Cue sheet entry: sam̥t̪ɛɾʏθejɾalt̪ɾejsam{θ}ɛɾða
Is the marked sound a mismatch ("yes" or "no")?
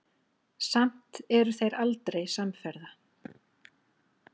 yes